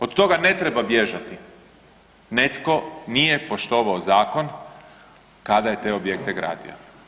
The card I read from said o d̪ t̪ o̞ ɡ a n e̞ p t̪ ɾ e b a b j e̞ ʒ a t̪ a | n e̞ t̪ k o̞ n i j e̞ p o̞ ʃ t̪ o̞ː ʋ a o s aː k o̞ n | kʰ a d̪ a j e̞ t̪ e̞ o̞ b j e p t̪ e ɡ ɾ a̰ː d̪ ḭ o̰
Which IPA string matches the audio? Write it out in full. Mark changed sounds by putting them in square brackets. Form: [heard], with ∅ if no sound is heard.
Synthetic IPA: o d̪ t̪ o̞ ɡ a n e̞ [∅] t̪ ɾ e b a b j e̞ ʒ a t̪ [i] | n e̞ t̪ k o̞ n i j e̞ p o̞ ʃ t̪ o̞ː ʋ a o [z] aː k o̞ n | [k] a d̪ a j e̞ t̪ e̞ o̞ b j e [k] t̪ e ɡ ɾ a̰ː d̪ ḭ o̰

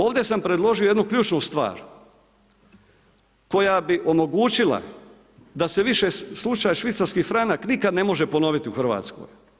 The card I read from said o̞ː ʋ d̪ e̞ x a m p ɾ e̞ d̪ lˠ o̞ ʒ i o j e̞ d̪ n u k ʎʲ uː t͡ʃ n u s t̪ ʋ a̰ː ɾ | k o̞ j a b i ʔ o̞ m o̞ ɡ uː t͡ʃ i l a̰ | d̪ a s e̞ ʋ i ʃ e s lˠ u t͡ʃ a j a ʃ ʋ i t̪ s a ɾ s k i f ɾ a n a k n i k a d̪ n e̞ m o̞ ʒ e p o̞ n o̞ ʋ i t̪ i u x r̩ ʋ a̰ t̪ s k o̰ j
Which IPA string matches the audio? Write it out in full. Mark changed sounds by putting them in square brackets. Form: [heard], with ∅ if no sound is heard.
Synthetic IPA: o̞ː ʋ d̪ e̞ [s] a m p ɾ e̞ d̪ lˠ o̞ ʒ i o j e̞ d̪ n u k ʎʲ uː t͡ʃ n u s t̪ ʋ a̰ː ɾ | k o̞ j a b i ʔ o̞ m o̞ ɡ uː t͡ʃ i l a̰ | d̪ a s e̞ ʋ i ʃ e s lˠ u t͡ʃ a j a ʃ ʋ i t̪ s a ɾ s k i f ɾ a n a k n i k a d̪ n e̞ m o̞ ʒ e p o̞ n o̞ ʋ i t̪ i u x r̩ ʋ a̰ t̪ s k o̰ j

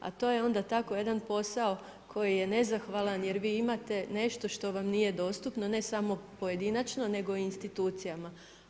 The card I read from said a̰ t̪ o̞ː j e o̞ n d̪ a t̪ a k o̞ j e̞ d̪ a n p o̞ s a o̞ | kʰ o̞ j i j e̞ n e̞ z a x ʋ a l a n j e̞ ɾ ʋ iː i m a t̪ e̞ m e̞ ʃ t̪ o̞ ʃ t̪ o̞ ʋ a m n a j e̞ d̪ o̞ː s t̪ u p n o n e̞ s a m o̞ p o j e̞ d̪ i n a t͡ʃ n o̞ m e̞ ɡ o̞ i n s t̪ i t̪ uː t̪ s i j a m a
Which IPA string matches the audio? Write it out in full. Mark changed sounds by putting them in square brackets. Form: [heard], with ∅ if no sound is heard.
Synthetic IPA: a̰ t̪ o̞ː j e o̞ n d̪ a t̪ a k o̞ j e̞ d̪ a n p o̞ s a o̞ | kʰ o̞ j i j e̞ n e̞ z a x ʋ a l a n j e̞ ɾ ʋ iː i m a t̪ e̞ [n] e̞ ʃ t̪ o̞ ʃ t̪ o̞ ʋ a m n [i] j e̞ d̪ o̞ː s t̪ u p n o n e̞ s a m o̞ p o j e̞ d̪ i n a t͡ʃ n o̞ [n] e̞ ɡ o̞ i n s t̪ i t̪ uː t̪ s i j a m a

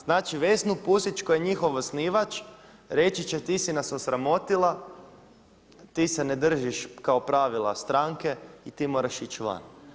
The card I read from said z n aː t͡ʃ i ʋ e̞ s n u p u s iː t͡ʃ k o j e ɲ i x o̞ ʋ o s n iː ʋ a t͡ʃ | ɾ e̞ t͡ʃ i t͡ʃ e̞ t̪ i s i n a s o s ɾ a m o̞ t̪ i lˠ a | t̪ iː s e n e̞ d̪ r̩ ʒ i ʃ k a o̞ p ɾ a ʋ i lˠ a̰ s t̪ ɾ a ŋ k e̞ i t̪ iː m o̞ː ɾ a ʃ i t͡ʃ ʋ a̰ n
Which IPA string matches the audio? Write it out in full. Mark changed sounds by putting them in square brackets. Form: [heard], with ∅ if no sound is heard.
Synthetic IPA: z n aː t͡ʃ i ʋ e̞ s n u p u s [i] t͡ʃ k o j e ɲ i x o̞ ʋ o s n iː ʋ a t͡ʃ | ɾ e̞ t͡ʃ i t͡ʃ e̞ t̪ i s i n a s o s ɾ a m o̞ t̪ i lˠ a | t̪ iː s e n e̞ d̪ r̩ ʒ i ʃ k a o̞ p ɾ a ʋ i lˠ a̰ s t̪ ɾ a ŋ k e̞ i t̪ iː m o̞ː ɾ a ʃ i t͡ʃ ʋ a̰ n

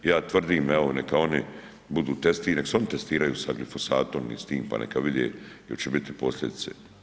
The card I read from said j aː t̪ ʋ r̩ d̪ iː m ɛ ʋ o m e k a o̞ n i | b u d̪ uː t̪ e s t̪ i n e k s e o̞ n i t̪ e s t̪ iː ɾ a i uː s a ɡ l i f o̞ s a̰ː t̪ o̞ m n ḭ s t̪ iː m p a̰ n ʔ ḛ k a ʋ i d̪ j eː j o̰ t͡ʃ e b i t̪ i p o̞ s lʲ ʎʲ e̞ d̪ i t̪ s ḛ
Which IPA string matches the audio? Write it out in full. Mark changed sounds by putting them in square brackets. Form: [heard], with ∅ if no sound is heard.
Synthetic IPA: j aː t̪ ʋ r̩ d̪ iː m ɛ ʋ o [n] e k a o̞ n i | b u d̪ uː t̪ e s t̪ i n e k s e o̞ n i t̪ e s t̪ iː ɾ a [j] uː s a ɡ l i f o̞ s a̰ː t̪ o̞ m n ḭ s t̪ iː m p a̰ n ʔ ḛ k a ʋ i d̪ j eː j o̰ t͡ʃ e b i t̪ i p o̞ s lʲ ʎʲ e̞ d̪ i t̪ s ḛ

